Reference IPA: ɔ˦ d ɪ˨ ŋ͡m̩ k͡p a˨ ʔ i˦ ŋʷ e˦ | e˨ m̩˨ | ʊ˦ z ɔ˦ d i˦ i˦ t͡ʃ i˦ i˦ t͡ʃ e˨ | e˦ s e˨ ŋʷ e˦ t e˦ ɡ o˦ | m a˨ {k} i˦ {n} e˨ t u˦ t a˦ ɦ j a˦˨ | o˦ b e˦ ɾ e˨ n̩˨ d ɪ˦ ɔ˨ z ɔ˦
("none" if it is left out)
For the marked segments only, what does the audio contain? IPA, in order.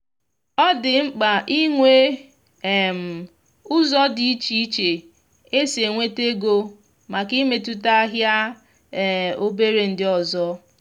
k, m

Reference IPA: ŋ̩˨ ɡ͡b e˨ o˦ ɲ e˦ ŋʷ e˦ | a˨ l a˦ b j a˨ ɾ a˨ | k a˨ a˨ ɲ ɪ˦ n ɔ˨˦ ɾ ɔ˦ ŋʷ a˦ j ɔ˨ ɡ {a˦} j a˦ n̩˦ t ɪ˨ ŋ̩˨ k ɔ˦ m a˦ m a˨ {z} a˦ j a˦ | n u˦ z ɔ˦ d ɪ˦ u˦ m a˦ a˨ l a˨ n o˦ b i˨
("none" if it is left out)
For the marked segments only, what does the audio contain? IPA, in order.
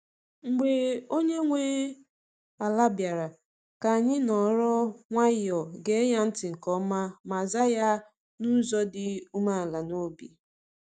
e˦, z

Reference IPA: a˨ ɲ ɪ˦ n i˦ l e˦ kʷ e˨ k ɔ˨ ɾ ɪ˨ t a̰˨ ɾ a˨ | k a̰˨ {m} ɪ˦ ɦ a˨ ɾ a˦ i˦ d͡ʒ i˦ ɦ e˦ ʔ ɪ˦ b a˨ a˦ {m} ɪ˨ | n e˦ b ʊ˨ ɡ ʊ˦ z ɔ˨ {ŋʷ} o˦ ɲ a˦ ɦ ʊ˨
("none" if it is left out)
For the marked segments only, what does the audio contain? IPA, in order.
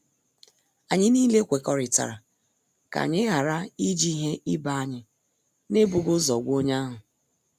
ɲ, ɲ, ɡʷ

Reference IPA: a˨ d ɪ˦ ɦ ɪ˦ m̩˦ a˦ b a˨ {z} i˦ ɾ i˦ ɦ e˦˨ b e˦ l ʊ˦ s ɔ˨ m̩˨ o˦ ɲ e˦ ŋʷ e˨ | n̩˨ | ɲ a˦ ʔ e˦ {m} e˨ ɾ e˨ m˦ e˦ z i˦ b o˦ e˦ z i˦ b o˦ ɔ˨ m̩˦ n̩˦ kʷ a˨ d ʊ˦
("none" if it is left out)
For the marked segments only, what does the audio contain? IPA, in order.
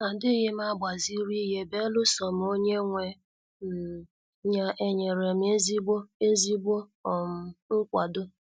z, ɲ

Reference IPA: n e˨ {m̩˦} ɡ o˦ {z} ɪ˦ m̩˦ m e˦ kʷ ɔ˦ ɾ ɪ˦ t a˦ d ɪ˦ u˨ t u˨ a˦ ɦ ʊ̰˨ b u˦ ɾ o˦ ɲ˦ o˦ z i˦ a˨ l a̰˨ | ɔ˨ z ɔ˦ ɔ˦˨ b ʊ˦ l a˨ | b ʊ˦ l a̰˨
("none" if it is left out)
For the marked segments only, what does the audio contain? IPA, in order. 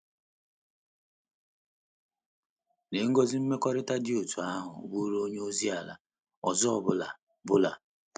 ŋ̩˦, z

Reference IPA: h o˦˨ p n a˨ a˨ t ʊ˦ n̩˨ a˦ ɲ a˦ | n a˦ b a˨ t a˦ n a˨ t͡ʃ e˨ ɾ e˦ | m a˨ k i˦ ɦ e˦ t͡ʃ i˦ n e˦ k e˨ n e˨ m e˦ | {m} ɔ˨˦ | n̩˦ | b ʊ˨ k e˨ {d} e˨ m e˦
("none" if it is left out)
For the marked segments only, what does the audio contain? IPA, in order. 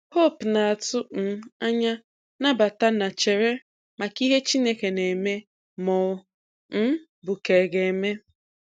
m, ɡ

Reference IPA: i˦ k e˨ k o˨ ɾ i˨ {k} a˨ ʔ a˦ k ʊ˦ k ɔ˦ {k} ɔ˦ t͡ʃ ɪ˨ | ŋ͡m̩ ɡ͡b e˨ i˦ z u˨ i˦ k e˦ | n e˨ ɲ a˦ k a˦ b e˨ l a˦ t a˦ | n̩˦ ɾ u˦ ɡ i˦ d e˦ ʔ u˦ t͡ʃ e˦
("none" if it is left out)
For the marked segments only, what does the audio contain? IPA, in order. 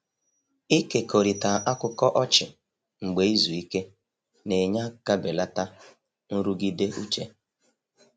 t, ʔ

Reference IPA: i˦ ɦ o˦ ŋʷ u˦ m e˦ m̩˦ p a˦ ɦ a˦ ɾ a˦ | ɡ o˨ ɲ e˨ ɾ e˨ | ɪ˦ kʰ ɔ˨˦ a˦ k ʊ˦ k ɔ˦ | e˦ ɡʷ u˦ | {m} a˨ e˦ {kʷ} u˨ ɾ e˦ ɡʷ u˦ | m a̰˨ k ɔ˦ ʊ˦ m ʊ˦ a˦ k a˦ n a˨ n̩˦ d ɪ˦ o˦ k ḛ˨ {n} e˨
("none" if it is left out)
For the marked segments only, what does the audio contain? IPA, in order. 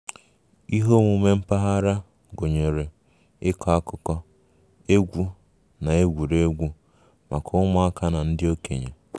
n, ɡʷ, ɲ

